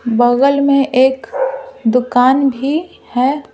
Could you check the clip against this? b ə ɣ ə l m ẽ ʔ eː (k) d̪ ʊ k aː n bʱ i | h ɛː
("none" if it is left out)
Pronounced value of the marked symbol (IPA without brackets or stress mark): k